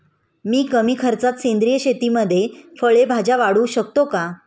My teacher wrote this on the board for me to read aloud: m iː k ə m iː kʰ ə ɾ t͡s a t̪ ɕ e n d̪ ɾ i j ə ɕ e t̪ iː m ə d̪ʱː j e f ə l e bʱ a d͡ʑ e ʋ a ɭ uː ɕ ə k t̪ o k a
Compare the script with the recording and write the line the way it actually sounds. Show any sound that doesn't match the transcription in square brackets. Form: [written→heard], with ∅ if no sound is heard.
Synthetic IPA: m iː k ə m iː kʰ ə ɾ t͡s a t̪ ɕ e n d̪ ɾ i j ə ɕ e t̪ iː m ə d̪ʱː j e f ə [l→ɭ] e bʱ a d͡ʑ [e→a] ʋ a [ɭ→ɽ] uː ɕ ə k t̪ o k a